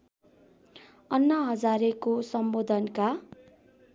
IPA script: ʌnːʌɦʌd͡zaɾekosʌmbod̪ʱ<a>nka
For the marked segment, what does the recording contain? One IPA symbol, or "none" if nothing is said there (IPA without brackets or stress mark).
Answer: ʌ